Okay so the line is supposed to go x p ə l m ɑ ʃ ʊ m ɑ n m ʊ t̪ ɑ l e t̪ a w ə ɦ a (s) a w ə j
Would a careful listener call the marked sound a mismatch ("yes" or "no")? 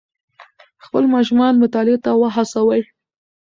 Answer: no